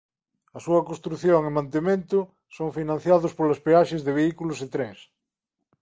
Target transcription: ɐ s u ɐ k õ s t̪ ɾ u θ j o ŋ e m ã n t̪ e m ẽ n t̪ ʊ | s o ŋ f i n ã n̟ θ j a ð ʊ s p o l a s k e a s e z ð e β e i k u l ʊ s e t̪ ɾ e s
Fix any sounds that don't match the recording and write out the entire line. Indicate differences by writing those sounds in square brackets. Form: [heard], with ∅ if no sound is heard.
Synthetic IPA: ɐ s u ɐ k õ s t̪ ɾ u θ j o ŋ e m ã n t̪ e m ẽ n t̪ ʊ | s o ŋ f i n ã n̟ θ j a ð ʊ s p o l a s [p] e a [ʃ] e z ð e β e i k u l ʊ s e t̪ ɾ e s